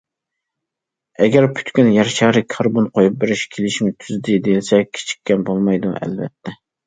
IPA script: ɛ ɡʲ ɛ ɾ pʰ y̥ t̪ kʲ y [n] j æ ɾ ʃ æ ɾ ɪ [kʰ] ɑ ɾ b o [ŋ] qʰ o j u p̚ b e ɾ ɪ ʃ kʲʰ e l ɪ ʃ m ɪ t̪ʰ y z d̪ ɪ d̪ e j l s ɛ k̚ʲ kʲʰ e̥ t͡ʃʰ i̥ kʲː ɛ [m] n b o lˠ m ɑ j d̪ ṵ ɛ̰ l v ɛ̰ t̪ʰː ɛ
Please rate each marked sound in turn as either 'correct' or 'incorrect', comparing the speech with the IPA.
correct, correct, incorrect, incorrect

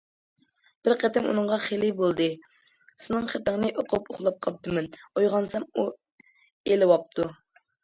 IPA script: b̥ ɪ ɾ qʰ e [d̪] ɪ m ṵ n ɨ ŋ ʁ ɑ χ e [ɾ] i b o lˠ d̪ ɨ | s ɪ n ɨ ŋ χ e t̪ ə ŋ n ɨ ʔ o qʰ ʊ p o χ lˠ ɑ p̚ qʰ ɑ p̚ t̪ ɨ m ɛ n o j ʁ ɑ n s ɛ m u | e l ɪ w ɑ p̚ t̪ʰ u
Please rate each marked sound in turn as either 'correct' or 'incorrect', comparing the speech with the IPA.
incorrect, incorrect

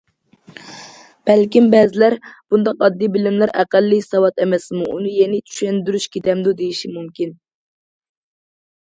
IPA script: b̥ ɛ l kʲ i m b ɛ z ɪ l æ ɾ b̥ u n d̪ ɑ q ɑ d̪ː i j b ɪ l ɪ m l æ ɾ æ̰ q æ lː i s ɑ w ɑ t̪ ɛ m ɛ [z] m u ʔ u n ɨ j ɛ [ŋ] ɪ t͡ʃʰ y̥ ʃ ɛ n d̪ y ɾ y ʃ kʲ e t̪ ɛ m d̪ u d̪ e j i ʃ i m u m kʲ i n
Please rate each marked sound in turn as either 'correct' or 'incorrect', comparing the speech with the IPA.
incorrect, incorrect

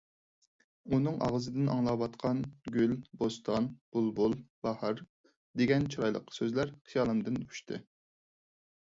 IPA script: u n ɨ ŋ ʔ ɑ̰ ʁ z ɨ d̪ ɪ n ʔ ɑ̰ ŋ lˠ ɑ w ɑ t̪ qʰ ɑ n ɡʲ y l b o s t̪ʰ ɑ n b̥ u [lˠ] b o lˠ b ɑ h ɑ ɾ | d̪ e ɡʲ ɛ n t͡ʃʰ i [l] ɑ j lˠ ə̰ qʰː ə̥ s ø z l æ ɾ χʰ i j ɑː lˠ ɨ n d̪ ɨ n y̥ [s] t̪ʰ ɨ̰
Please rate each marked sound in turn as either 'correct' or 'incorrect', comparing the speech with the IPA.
correct, incorrect, incorrect

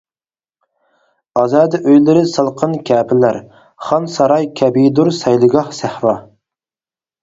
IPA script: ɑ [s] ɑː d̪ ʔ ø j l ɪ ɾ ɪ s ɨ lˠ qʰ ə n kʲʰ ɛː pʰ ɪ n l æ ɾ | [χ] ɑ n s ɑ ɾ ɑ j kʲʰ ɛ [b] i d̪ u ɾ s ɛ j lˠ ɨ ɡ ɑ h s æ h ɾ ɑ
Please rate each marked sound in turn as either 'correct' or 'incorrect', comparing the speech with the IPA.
incorrect, correct, correct

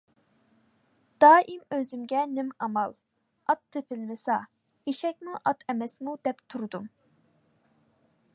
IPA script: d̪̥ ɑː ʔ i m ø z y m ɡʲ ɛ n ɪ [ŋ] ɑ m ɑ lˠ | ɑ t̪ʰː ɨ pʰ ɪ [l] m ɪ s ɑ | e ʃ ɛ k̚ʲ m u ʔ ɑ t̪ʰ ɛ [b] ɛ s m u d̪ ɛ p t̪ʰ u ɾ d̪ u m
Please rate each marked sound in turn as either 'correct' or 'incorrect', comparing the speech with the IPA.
incorrect, correct, incorrect

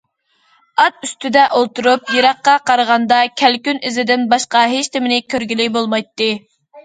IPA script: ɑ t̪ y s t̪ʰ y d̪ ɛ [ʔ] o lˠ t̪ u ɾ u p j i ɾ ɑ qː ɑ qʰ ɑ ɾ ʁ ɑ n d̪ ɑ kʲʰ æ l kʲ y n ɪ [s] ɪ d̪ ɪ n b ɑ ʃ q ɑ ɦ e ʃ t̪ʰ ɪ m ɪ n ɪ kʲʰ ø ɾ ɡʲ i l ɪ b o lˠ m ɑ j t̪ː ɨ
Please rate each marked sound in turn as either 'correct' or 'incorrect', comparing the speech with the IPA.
correct, incorrect

